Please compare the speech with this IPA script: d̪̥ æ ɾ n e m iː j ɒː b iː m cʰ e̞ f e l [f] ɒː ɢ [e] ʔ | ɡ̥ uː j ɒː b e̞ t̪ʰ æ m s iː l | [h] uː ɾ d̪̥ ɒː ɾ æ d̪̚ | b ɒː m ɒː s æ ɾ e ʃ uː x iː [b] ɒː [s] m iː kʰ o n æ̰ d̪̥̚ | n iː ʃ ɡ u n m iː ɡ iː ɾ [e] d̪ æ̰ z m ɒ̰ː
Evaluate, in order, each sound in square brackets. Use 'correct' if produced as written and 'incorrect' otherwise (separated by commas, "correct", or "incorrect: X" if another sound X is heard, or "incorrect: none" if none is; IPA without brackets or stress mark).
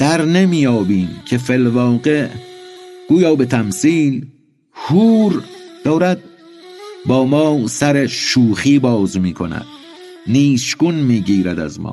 incorrect: v, correct, correct, correct, incorrect: z, incorrect: æ